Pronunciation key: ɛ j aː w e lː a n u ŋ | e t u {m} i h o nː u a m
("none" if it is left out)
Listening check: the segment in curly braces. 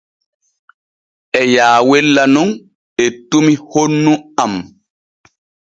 m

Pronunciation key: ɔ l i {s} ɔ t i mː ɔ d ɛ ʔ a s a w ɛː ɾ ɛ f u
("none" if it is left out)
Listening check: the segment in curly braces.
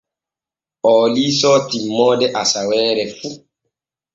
s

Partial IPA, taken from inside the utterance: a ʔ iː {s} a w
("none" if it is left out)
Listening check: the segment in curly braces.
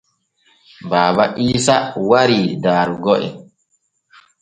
s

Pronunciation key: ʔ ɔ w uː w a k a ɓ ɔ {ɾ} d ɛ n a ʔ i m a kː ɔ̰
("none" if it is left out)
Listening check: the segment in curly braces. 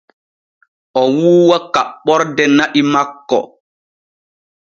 ɾ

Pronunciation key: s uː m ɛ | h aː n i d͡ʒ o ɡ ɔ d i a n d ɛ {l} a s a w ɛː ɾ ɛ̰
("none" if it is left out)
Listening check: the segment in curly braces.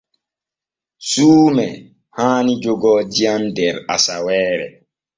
ɾ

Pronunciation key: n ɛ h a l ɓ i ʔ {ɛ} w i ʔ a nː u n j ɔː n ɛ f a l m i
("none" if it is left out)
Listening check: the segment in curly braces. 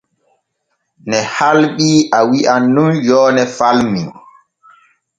a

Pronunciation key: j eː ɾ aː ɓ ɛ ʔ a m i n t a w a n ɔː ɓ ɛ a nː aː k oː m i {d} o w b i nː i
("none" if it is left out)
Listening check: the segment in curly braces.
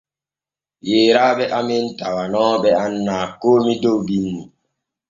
d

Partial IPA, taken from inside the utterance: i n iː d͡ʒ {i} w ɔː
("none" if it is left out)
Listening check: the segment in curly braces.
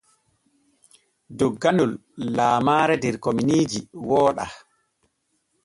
i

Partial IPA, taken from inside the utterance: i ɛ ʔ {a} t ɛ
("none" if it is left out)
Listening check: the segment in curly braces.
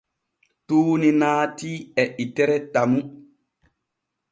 i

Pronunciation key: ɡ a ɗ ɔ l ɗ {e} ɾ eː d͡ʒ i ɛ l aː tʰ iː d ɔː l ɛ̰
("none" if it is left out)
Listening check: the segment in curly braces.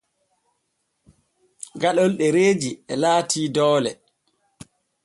ɛ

